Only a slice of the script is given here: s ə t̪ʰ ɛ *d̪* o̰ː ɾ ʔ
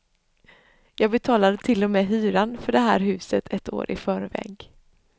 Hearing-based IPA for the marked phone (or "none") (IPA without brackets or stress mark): t̪